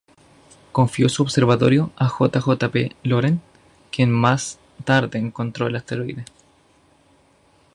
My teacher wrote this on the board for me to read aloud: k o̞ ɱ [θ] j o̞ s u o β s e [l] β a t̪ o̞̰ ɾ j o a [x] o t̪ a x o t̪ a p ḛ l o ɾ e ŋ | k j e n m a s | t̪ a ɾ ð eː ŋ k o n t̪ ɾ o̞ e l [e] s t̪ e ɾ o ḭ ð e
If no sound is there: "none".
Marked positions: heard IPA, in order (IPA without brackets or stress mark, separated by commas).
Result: f, ɾ, x, a